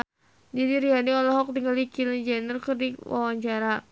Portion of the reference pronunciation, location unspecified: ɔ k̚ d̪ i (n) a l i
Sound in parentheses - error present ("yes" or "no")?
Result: yes